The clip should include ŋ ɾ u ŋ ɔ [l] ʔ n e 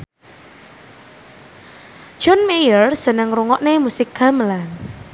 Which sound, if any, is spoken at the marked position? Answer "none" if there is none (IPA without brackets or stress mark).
none